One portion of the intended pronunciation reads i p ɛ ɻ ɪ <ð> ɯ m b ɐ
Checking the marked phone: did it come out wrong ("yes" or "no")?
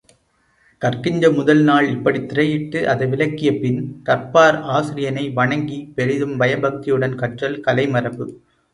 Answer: no